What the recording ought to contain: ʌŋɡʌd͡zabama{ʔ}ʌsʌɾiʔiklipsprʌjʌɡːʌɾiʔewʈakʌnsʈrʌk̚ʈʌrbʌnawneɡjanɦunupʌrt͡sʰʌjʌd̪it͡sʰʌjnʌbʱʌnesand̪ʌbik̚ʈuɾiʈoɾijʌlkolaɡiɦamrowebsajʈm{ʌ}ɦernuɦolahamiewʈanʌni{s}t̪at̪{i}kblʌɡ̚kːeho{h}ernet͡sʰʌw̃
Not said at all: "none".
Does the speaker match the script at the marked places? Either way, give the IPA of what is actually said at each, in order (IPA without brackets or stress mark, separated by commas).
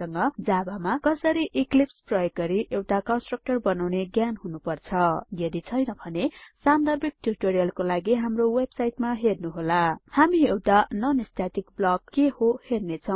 k, a, s, i, h